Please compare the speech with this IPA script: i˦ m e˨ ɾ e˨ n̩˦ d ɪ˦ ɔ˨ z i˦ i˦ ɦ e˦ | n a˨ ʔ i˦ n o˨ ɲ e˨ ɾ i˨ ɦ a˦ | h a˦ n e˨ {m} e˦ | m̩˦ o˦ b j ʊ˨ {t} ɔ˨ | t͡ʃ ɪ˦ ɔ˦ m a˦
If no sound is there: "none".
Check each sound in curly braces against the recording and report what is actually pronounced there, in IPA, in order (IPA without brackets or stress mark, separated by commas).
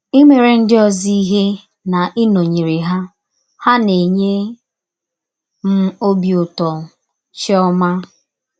ɲ, t